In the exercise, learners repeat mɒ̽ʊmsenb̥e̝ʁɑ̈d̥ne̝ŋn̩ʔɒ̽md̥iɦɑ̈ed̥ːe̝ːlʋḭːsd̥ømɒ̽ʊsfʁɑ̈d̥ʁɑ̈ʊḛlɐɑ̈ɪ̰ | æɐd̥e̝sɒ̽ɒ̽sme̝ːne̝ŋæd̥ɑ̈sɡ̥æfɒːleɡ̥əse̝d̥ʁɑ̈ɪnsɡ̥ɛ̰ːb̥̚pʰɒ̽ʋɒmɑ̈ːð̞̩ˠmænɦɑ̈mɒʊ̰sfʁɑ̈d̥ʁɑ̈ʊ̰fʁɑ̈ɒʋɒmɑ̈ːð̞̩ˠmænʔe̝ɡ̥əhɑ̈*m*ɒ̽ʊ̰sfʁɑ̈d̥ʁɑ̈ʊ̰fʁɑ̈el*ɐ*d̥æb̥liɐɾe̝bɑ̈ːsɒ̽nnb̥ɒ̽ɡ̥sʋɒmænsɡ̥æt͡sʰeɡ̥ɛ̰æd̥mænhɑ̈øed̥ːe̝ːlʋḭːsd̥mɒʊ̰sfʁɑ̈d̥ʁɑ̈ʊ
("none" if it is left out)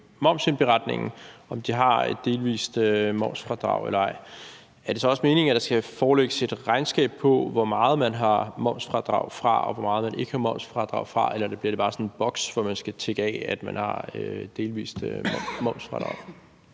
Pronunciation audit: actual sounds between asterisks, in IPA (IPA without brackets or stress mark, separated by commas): m, ɐ